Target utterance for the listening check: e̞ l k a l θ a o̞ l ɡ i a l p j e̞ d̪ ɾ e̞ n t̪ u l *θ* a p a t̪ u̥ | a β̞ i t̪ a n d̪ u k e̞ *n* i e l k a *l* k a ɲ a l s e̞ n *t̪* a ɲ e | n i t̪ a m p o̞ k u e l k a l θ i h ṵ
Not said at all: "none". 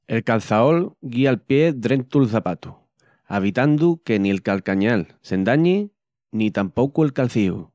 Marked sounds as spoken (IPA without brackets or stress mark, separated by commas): θ, n, l, d̪